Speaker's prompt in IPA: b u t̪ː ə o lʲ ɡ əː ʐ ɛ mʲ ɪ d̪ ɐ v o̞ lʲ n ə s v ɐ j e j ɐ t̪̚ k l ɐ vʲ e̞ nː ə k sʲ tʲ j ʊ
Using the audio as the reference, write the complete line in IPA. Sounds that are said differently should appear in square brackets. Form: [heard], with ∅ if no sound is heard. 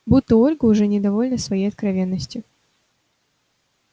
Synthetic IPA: b u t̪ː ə o lʲ ɡ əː ʐ ɛ [nʲ] ɪ d̪ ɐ v o̞ lʲ n ə s v ɐ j e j ɐ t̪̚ k [ɾ] ɐ vʲ e̞ nː ə [∅] sʲ tʲ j ʊ

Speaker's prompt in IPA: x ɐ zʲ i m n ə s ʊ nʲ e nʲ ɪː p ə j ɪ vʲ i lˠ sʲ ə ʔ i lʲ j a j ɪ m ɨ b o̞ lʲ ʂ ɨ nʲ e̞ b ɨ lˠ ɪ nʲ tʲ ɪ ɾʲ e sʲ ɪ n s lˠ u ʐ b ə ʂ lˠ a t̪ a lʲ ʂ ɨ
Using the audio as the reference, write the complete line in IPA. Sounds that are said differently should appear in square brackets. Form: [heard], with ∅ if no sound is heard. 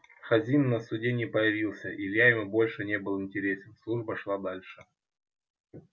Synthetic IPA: x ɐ zʲ i m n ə s ʊ [dʲ] e nʲ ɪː p ə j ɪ vʲ i lˠ sʲ ə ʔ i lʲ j a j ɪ m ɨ b o̞ lʲ ʂ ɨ nʲ e̞ b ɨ lˠ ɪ nʲ tʲ ɪ ɾʲ e sʲ ɪ n s lˠ u ʐ b ə ʂ lˠ a [d̪] a lʲ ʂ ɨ

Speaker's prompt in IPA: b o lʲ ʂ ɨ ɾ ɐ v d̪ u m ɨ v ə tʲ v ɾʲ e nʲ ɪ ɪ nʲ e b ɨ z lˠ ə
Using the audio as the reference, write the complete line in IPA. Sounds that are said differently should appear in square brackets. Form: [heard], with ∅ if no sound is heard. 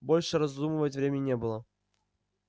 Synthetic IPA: b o lʲ ʂ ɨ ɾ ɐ [z] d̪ u m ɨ v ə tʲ v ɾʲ e [mʲ] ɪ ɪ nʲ e b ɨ [∅] lˠ ə

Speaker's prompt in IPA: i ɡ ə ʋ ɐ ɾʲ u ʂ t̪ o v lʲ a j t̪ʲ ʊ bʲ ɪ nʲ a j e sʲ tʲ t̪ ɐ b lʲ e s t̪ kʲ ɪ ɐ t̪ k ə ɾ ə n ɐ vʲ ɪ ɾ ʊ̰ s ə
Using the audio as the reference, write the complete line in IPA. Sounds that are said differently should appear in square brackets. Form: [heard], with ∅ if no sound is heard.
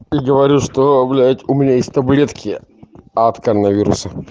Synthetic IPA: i ɡ ə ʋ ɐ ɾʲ u ʂ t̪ o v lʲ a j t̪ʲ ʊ [mʲ] ɪ nʲ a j e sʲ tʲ t̪ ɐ b lʲ e [∅] t̪ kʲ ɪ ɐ t̪ k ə ɾ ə n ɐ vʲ [i] ɾ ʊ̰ s ə

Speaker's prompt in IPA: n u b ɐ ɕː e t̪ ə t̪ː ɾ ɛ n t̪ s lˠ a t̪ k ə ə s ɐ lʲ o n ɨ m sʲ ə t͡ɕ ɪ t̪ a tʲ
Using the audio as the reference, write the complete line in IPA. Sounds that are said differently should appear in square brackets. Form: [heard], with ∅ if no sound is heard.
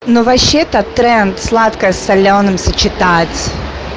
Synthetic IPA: n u [v] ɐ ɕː e t̪ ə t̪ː ɾ ɛ n t̪ s lˠ a t̪ k ə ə s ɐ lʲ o n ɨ m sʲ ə t͡ɕ ɪ t̪ a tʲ

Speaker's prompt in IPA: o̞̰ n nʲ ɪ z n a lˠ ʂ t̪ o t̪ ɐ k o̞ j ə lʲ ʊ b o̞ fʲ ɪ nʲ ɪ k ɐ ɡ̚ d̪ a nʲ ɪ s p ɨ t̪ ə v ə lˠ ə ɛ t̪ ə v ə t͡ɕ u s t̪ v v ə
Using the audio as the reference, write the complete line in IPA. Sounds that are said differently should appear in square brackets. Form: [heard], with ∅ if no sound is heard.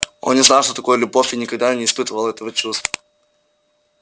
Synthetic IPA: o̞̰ n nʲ ɪ z n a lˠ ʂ t̪ o t̪ ɐ k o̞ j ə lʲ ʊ b o̞ fʲ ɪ nʲ ɪ k ɐ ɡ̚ d̪ a nʲ ɪ s p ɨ t̪ ə v ə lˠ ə ɛ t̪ ə v ə t͡ɕ u s t̪ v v ə

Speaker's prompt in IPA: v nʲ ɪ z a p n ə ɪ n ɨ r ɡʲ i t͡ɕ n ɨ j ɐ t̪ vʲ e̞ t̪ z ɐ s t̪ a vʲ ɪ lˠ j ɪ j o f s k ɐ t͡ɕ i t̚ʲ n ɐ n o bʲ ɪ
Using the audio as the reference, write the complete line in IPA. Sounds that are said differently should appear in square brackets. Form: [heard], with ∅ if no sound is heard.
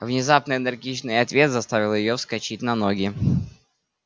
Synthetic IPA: v nʲ ɪ z a p n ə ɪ n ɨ r ɡʲ i t͡ɕ n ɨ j ɐ t̪ vʲ e̞ t̪ z ɐ s t̪ a vʲ ɪ lˠ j ɪ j o f s k ɐ t͡ɕ i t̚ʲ n ɐ n o [ɡʲ] ɪ

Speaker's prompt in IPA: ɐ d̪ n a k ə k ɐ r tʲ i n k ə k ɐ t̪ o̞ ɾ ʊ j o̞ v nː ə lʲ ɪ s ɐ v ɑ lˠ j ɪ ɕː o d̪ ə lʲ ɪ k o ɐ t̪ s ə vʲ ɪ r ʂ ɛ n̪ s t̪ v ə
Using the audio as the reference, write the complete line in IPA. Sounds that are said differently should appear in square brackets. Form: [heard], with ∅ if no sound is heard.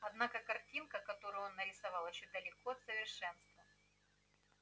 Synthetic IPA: ɐ d̪ n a k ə k ɐ r tʲ i n k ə k ɐ t̪ o̞ ɾ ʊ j o̞ [∅] nː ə [ɾʲ] ɪ s ɐ v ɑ lˠ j ɪ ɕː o d̪ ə lʲ ɪ k o ɐ t̪ s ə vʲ ɪ r ʂ ɛ n̪ s t̪ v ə

